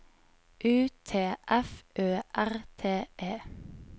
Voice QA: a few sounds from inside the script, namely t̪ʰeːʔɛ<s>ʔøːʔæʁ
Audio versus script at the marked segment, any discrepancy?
yes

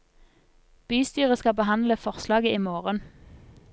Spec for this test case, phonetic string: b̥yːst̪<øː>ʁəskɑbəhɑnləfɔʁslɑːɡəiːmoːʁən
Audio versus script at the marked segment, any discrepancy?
yes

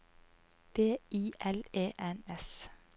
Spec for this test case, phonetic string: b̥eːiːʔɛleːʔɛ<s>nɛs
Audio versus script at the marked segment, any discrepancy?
yes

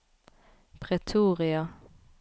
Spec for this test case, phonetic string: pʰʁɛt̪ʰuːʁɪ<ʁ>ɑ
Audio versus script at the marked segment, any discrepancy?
yes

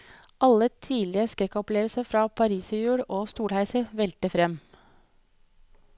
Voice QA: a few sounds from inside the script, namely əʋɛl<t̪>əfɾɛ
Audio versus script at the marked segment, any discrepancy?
no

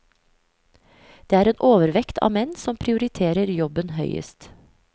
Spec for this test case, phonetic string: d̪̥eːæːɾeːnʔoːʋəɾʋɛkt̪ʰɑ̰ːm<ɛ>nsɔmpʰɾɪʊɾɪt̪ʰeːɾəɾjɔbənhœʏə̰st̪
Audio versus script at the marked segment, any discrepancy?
no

